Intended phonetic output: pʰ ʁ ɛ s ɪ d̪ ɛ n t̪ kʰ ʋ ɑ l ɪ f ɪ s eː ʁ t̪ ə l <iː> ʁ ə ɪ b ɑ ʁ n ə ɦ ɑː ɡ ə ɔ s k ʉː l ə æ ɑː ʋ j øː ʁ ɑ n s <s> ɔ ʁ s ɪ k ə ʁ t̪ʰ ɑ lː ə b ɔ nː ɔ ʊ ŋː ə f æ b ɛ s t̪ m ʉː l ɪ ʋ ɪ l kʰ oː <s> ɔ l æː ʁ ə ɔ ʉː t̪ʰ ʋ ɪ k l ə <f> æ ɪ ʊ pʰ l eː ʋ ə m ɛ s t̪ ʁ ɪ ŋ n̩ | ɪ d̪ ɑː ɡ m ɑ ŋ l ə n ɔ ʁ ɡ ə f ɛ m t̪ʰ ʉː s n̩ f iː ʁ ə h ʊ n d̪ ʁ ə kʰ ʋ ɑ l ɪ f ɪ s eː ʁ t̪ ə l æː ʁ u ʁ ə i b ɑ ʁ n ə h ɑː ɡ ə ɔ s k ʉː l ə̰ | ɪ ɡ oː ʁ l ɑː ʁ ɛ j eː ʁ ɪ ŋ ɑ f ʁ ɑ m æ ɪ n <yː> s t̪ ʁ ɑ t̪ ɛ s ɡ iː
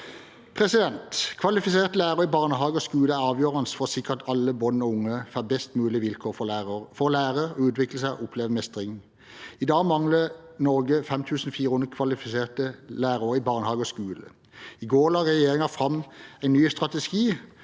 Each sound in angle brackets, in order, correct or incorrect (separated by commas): incorrect, incorrect, incorrect, incorrect, correct